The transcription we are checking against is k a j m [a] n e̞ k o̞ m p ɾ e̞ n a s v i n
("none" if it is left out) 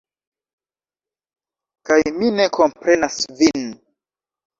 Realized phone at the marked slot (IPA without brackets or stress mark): i